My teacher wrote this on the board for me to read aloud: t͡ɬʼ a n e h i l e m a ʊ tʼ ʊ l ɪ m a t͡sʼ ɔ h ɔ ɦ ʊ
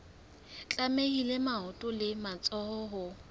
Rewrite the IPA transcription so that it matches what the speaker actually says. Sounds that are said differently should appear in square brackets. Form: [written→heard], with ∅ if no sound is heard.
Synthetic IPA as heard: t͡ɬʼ a [n→m] e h i l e m a ʊ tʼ ʊ l ɪ m a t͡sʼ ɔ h ɔ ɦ ʊ